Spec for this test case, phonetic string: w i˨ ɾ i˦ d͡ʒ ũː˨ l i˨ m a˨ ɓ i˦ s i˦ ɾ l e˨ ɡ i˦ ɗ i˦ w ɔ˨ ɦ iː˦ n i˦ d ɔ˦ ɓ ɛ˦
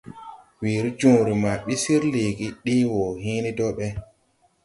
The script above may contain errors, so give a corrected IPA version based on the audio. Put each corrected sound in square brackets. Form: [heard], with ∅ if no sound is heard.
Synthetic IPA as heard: w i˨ ɾ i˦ d͡ʒ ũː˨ [ɾ] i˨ m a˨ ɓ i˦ s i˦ ɾ l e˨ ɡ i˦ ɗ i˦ w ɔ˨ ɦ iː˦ n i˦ d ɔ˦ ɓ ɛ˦